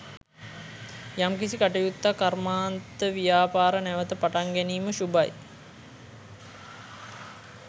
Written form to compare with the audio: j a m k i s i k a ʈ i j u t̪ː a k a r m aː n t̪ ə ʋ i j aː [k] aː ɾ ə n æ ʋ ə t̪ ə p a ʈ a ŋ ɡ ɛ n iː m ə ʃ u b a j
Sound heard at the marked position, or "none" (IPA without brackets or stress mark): p